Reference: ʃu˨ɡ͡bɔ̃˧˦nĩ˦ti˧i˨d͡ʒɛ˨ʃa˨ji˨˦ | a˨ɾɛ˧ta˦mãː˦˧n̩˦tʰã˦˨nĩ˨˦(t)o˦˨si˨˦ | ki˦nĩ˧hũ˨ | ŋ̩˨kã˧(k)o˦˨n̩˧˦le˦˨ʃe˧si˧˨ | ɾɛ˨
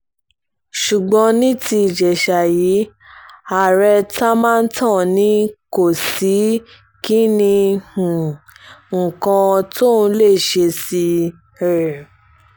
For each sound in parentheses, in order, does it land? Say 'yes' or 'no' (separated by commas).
no, no